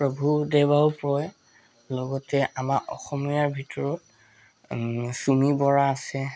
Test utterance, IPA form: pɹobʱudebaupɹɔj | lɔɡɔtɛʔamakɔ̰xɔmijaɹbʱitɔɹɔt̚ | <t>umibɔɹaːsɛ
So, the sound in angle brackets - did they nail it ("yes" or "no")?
no